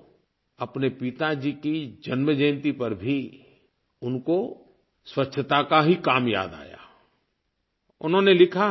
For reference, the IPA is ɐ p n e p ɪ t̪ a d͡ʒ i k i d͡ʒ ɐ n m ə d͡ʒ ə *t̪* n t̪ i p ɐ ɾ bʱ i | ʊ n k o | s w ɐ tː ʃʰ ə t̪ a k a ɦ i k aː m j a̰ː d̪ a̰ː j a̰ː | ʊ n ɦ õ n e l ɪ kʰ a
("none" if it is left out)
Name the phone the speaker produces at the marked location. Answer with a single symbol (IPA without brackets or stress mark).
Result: none